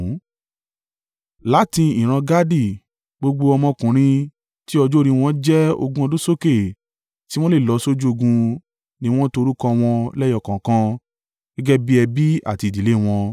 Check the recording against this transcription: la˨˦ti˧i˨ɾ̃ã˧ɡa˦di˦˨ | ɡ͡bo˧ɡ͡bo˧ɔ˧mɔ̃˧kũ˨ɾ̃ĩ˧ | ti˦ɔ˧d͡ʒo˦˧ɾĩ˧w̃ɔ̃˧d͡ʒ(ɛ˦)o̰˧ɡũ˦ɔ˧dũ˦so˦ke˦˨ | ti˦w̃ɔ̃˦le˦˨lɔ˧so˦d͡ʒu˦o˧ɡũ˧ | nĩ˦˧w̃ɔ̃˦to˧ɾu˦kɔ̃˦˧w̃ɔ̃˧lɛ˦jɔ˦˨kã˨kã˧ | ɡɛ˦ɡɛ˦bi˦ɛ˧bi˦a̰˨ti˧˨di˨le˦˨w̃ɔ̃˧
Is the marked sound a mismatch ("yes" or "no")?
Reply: no